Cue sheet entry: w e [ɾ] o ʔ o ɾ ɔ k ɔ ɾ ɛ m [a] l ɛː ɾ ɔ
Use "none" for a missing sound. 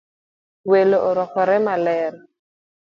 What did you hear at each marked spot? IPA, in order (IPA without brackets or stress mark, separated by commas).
l, a